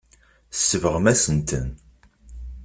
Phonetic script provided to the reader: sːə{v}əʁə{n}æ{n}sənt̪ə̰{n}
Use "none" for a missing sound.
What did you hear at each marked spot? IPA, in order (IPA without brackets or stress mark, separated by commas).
v, m, none, n